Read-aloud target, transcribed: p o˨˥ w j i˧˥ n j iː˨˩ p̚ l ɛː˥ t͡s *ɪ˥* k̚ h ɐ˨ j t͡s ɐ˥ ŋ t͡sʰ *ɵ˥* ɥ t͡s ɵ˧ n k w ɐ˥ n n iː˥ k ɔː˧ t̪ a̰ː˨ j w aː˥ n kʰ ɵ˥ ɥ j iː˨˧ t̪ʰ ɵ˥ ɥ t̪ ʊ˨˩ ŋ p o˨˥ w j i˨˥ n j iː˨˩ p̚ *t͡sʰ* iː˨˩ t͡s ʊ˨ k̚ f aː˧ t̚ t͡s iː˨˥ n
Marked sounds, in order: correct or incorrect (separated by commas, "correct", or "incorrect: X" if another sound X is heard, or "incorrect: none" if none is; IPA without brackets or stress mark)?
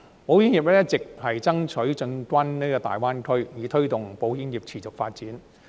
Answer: incorrect: ɪ˨, incorrect: ɵ˨˥, correct